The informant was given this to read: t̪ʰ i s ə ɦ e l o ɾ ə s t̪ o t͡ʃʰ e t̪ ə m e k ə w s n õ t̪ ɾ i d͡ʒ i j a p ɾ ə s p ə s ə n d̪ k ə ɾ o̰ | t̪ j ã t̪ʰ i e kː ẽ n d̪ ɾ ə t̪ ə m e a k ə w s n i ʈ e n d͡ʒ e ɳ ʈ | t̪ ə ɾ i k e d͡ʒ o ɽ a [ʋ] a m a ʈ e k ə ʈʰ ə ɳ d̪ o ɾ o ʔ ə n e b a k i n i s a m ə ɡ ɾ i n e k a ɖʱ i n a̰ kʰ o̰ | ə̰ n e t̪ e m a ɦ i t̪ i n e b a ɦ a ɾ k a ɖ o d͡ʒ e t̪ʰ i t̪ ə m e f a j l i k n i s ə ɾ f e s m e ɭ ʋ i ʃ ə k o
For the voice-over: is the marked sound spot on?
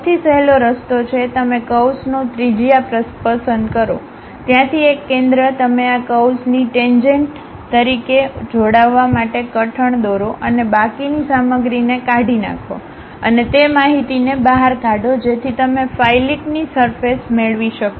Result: no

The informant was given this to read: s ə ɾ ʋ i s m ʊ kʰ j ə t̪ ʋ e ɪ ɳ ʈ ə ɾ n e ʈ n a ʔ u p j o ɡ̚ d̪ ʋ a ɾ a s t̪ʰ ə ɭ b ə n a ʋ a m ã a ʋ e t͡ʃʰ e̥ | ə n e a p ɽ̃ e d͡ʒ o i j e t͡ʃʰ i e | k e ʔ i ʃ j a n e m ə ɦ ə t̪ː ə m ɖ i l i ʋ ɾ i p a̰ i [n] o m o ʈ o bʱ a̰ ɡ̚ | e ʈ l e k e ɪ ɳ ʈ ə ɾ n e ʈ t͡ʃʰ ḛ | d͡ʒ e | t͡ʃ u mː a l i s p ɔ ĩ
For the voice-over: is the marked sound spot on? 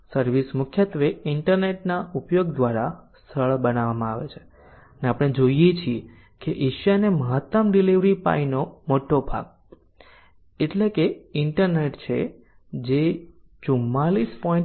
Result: yes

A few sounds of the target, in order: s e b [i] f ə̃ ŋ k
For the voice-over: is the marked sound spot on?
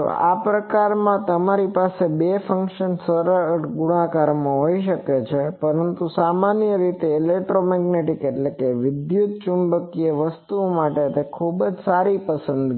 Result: no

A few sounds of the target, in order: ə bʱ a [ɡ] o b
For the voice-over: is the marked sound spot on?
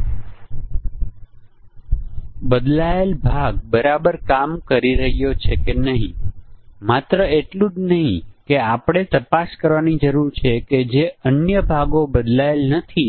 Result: yes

